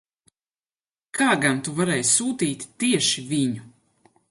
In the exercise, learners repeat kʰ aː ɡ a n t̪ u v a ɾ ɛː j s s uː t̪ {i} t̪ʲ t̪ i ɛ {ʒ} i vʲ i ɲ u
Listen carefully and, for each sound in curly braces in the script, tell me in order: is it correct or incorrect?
incorrect, incorrect

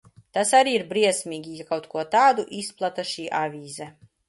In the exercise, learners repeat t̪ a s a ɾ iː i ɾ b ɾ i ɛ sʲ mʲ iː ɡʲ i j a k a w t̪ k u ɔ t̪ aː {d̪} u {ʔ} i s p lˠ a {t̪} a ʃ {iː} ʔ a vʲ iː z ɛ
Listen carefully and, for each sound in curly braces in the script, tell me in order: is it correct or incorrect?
correct, correct, correct, correct

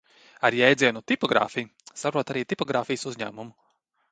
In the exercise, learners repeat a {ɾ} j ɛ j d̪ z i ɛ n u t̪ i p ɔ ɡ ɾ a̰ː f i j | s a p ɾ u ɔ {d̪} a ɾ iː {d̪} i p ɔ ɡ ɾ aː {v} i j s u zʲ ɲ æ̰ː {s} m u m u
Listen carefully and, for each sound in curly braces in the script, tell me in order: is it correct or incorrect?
correct, incorrect, incorrect, incorrect, incorrect

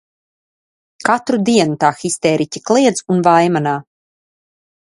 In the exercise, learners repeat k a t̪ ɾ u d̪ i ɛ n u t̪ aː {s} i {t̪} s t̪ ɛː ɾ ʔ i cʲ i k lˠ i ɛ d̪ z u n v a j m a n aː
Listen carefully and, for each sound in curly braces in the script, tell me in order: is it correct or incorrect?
incorrect, incorrect

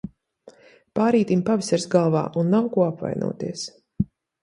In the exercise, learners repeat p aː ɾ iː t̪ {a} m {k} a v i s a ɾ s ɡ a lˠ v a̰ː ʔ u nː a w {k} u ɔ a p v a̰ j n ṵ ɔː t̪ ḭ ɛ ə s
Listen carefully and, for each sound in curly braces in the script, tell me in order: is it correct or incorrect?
incorrect, incorrect, correct

